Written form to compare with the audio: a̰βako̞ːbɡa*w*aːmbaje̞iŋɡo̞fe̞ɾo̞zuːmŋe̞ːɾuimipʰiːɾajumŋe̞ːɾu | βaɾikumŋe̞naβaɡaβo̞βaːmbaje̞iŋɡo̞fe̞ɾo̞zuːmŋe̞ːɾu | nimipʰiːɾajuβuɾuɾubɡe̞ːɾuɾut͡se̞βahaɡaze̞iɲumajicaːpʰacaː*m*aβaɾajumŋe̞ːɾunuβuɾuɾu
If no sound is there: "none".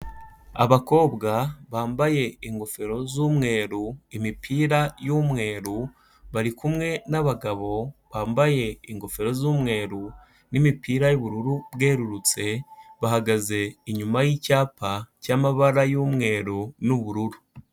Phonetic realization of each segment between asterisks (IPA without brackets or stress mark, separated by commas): β, m